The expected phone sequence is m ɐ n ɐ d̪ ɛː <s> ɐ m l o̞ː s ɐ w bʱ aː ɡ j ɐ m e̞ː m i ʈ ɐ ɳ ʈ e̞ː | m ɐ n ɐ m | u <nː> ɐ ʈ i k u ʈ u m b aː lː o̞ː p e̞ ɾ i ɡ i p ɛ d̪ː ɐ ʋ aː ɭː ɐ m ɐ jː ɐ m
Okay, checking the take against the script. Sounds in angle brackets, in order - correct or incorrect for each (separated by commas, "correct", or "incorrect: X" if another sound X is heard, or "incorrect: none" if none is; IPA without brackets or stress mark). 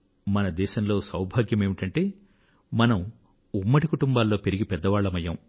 incorrect: ʃ, incorrect: mː